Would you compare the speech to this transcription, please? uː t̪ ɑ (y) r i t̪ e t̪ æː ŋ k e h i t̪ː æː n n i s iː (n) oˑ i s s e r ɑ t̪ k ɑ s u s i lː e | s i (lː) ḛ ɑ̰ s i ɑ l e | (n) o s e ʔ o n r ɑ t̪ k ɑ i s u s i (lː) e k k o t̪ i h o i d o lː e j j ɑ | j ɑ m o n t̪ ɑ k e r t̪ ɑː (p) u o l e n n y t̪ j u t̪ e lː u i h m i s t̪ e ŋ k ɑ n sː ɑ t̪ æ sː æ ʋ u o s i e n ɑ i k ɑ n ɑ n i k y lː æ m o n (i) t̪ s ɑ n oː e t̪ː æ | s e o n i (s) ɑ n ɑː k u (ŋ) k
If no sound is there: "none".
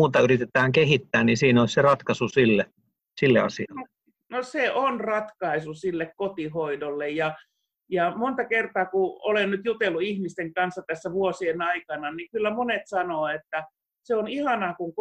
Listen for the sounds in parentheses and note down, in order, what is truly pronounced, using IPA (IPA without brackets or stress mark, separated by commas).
y, n, lː, n, lː, k, e, h, ŋ